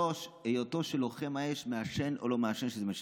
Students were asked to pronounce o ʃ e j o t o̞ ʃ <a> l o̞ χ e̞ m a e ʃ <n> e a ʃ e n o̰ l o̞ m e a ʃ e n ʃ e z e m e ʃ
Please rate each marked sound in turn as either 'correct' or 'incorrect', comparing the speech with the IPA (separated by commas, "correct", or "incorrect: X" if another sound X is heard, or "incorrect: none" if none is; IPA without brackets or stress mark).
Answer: incorrect: e, incorrect: m